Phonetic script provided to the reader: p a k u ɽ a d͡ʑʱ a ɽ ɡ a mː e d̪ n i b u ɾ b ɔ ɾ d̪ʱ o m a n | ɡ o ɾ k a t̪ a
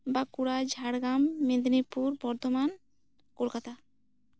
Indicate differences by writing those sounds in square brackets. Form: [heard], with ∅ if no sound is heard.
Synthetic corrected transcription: [b] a k u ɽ a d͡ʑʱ a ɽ ɡ a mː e d̪ n i [p] u ɾ b ɔ ɾ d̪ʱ o m a n | [k] o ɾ k a t̪ a